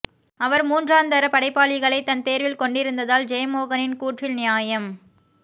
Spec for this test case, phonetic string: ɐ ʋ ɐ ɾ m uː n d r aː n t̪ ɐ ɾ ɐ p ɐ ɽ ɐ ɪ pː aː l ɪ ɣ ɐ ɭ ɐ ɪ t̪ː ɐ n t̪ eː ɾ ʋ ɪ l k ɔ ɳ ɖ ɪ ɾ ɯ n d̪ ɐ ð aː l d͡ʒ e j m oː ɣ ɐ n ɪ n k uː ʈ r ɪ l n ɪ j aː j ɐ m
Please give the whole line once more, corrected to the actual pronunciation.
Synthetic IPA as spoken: ɐ ʋ ɐ ɾ m uː n d r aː n d̪ ɐ ɾ ɐ p ɐ ɽ ɐ ɪ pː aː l ɪ ɣ ɐ ɭ ɐ ɪ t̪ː ɐ n t̪ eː ɾ ʋ ɪ l k ɔ ɳ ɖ ɪ ɾ ɯ n d̪ ɐ ð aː l d͡ʒ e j m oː ɣ ɐ n ɪ n k uː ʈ r ɪ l n ɪ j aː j ɐ m